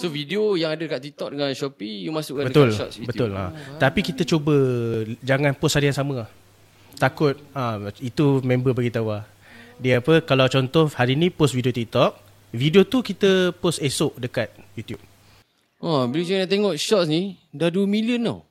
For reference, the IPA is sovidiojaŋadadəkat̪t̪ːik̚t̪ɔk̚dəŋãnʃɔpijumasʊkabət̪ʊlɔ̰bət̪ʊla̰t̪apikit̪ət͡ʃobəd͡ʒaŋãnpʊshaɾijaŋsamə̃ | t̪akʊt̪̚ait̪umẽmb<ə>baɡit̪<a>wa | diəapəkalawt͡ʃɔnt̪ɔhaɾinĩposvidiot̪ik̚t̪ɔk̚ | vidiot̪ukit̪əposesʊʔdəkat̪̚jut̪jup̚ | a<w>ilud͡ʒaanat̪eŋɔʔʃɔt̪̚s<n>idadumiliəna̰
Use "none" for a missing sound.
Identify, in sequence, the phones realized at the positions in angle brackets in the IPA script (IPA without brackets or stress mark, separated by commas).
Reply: ə, a, b, n